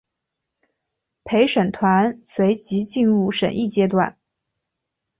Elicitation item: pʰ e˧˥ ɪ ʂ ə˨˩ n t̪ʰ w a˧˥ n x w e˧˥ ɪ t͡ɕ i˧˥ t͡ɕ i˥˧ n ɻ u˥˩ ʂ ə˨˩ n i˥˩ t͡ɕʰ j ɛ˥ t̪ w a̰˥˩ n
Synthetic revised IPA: pʰ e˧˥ ɪ ʂ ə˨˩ n t̪ʰ w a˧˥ n s w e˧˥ ɪ t͡ɕ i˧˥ t͡ɕ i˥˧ n ɻ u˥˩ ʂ ə˨˩ n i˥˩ t͡ɕ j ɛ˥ t̪ w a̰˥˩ n